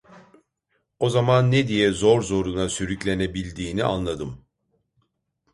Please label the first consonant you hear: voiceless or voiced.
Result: voiced